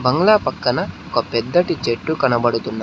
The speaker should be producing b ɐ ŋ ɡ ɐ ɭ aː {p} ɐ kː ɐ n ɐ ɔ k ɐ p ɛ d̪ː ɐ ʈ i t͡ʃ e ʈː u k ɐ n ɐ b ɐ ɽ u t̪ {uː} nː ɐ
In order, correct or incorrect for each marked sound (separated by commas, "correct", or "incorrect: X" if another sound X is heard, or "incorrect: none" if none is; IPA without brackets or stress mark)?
correct, incorrect: u